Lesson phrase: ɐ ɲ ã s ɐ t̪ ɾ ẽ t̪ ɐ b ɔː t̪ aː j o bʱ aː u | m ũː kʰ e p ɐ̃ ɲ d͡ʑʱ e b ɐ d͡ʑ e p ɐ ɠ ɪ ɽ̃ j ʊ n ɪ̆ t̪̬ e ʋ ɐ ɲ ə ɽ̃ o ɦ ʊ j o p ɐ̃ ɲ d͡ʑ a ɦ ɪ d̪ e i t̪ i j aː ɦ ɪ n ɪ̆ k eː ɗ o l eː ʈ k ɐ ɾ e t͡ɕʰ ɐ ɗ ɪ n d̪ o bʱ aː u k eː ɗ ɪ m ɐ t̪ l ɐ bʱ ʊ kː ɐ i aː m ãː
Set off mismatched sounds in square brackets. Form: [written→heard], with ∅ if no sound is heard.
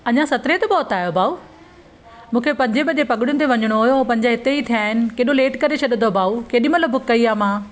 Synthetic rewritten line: ɐ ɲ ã s ɐ t̪ ɾ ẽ t̪ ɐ b ɔː t̪ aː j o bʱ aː u | m ũː kʰ e p ɐ̃ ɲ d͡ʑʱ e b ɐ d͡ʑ e p ɐ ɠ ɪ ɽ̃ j ʊ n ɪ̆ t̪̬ e ʋ ɐ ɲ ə ɽ̃ o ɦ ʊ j o p ɐ̃ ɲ d͡ʑ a ɦ ɪ [d̪→t̪] e i [t̪→t̪ʰ] i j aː ɦ ɪ n ɪ̆ k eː ɗ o l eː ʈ k ɐ ɾ e t͡ɕʰ ɐ ɗ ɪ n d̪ o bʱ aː u k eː ɗ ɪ m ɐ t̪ l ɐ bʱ ʊ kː ɐ i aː m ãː